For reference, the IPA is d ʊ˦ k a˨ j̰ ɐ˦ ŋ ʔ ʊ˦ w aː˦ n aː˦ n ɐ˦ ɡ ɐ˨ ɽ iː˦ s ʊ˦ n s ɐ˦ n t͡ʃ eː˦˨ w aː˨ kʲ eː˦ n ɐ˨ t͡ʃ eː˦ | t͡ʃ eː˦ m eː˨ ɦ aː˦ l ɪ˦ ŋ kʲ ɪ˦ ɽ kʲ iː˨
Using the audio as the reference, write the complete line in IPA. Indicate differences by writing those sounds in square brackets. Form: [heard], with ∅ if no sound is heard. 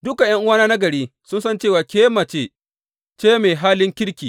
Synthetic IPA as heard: d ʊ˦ k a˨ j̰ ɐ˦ ŋ ʔ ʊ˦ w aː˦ n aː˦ n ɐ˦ ɡ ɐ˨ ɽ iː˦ s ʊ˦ n s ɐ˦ n t͡ʃ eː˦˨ w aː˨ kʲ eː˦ [m] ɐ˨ t͡ʃ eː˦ | t͡ʃ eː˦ m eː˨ ɦ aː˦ l ɪ˦ ŋ kʲ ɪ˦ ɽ kʲ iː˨